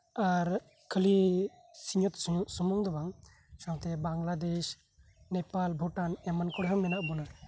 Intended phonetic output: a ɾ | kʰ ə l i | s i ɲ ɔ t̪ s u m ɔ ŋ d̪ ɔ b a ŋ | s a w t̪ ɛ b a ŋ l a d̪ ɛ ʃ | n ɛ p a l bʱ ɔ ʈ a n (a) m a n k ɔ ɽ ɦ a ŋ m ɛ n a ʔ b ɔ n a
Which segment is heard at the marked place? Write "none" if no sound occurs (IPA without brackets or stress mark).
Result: ɛ